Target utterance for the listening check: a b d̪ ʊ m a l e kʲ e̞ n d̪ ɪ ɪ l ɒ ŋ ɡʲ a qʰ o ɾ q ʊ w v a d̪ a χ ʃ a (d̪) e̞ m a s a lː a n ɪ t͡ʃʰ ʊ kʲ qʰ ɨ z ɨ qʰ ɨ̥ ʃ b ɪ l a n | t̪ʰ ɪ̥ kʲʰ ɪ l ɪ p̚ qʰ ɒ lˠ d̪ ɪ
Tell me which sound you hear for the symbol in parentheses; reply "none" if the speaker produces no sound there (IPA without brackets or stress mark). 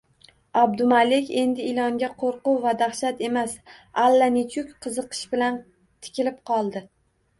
t̪